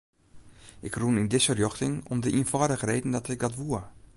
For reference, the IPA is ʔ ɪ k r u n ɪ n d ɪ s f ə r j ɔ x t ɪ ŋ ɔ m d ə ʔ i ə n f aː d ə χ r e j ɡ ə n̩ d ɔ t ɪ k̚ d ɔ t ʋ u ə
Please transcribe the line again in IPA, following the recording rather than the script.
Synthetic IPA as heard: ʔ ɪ k r u n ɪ n d ɪ s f ə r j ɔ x t ɪ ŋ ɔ m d ə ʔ i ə n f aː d ə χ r e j d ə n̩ d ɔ t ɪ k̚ d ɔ t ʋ u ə